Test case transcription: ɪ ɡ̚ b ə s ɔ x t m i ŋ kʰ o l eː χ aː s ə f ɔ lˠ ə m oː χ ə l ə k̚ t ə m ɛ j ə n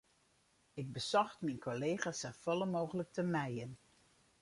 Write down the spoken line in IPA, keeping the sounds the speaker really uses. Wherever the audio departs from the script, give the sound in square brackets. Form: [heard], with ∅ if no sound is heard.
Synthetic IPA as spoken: ɪ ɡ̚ b ə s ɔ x t m i [n] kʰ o l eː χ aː s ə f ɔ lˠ ə m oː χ ə l ə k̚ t ə m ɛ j ə n